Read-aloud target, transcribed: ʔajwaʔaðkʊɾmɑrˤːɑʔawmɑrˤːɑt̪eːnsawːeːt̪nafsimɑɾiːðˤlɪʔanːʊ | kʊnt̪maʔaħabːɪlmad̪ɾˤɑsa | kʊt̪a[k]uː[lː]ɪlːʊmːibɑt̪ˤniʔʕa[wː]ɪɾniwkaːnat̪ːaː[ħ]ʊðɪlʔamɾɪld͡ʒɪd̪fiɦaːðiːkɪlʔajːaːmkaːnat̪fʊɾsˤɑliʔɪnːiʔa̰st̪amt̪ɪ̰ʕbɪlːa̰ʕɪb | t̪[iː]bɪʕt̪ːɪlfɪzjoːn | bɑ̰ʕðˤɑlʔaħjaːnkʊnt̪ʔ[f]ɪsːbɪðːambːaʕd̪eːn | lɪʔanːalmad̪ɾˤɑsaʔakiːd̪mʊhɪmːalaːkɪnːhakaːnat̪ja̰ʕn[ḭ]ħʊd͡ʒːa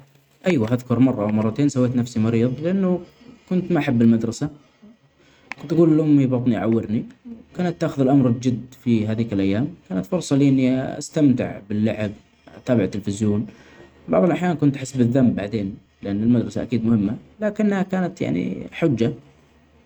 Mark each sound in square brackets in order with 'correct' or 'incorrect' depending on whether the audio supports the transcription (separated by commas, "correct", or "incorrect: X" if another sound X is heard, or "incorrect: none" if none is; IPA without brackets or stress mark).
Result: incorrect: ɡ, incorrect: l, correct, incorrect: x, incorrect: aː, incorrect: ħ, correct